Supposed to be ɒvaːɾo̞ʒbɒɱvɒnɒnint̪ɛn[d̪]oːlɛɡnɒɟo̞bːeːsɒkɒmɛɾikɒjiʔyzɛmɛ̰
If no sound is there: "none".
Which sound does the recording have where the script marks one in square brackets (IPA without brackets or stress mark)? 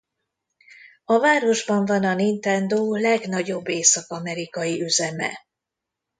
d̪